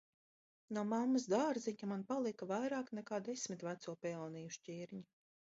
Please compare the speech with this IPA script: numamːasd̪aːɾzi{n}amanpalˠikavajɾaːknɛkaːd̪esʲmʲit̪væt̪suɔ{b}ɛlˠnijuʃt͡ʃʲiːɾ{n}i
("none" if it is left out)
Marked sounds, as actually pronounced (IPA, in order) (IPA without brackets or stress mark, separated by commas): ɲ, p, ɲ